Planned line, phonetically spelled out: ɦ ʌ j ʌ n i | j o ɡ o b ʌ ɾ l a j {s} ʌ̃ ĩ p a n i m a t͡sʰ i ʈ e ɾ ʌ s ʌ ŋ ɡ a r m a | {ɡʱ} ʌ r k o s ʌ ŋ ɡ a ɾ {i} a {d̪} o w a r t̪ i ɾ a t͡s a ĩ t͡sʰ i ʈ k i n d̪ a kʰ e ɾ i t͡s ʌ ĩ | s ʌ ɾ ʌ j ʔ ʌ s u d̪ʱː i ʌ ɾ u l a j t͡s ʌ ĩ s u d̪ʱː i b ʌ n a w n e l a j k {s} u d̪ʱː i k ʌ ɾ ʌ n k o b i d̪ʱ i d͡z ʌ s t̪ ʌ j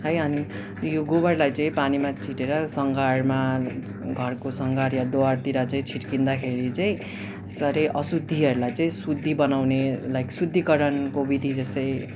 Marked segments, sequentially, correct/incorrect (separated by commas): incorrect, correct, incorrect, correct, correct